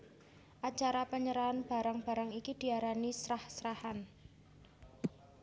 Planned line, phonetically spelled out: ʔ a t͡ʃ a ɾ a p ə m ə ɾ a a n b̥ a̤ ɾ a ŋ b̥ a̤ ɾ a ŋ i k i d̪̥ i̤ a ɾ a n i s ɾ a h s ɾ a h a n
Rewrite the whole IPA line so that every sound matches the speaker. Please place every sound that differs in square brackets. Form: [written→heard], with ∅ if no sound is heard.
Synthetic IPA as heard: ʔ a t͡ʃ a ɾ a p ə [m→ɲ] ə ɾ a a n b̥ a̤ ɾ a ŋ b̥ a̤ ɾ a ŋ i k i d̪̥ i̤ a ɾ a n i s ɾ a h s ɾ a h a n